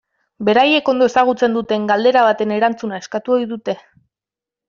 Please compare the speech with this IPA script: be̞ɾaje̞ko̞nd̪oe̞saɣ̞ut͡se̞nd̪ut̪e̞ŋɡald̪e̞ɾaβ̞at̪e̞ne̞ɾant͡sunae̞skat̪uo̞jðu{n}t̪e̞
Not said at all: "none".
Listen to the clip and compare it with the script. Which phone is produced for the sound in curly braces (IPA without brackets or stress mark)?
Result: none